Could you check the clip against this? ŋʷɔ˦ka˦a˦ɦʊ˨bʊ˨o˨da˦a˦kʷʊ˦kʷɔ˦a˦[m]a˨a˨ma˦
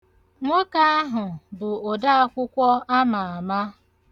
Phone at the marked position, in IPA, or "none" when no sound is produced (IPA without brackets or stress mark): m